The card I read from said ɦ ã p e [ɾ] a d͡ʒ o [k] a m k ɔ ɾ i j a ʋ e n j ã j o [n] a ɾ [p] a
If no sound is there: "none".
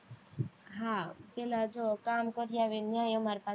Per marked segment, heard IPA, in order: l, k, m, p

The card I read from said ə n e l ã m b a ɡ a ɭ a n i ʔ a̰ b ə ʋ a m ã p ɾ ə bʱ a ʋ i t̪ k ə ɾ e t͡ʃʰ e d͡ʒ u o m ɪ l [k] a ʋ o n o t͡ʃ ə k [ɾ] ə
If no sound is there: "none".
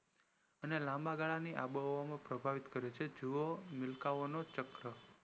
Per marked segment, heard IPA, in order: k, ɾ

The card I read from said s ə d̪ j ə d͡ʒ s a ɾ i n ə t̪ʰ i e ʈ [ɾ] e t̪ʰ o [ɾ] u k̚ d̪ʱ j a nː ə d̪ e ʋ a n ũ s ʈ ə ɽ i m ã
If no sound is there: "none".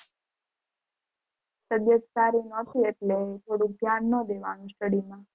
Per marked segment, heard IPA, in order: l, ɽ

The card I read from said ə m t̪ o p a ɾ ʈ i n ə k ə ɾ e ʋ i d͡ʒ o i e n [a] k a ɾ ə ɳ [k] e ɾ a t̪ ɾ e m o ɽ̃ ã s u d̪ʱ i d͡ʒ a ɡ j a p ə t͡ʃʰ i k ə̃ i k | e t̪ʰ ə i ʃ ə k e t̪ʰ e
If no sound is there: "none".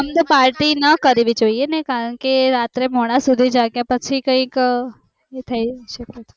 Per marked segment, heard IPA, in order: e, k

